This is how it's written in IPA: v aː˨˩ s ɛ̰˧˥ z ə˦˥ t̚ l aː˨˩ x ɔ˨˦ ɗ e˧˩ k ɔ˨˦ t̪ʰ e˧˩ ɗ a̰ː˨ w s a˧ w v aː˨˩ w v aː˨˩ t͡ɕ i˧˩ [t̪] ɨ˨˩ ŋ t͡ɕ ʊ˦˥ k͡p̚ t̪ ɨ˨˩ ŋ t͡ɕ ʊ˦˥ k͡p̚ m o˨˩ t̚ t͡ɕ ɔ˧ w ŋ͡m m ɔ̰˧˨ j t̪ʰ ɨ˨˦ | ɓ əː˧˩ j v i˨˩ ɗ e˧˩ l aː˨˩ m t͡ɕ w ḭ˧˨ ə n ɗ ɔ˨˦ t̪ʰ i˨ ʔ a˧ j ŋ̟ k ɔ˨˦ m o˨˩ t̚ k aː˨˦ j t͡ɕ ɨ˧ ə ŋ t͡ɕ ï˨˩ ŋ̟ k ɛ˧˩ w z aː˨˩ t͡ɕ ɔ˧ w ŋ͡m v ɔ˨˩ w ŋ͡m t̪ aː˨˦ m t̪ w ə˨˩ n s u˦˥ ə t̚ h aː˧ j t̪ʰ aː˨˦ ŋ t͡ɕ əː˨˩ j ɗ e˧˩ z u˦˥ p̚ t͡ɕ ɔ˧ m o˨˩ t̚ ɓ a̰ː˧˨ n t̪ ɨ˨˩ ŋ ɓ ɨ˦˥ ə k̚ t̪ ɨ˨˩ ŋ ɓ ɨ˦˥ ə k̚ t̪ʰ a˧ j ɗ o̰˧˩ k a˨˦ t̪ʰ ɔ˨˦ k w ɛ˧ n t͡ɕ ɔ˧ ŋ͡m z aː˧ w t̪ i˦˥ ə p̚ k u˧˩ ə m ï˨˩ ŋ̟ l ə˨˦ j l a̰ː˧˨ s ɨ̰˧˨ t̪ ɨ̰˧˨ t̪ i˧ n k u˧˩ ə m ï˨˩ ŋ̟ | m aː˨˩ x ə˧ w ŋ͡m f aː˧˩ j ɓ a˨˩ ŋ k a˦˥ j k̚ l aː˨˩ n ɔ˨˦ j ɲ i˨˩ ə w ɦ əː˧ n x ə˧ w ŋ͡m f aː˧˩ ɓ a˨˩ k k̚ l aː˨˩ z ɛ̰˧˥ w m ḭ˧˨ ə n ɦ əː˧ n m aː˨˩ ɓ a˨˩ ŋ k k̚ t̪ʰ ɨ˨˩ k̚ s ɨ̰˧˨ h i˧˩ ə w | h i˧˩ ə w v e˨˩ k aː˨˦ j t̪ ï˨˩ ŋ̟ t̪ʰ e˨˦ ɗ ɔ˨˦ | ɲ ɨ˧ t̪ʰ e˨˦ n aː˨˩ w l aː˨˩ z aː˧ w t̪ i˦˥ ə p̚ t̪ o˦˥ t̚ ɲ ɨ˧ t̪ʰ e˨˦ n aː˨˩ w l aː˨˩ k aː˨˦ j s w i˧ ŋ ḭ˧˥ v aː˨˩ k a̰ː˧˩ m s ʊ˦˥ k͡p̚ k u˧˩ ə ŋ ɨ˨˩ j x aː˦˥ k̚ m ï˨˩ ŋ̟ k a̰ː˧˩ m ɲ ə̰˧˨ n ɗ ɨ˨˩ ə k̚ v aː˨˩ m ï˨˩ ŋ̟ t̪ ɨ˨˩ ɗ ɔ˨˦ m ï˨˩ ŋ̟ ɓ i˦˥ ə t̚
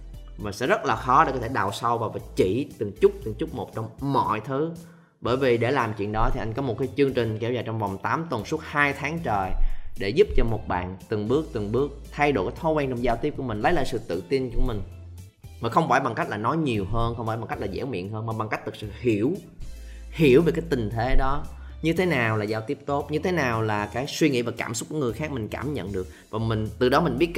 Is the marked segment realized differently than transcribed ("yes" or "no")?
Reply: no